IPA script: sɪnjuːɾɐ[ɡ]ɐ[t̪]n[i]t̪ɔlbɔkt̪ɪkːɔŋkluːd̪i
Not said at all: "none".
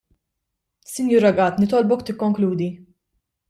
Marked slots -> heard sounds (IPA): ɡ, t̪, ɪ

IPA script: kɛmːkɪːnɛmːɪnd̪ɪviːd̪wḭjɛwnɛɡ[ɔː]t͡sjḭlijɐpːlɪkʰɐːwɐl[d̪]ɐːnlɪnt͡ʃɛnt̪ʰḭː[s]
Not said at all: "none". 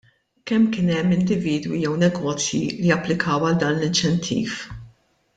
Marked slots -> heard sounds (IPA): ɔː, d̪, f

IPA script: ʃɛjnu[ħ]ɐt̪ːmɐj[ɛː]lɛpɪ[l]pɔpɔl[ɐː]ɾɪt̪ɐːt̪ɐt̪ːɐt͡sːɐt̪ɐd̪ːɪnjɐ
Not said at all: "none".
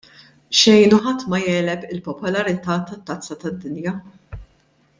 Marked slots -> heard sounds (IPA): ħ, ɛː, l, ɐ

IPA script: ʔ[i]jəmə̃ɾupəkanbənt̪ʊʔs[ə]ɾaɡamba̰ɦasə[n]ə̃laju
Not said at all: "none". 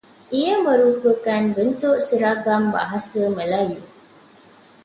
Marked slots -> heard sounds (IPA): i, ə, m

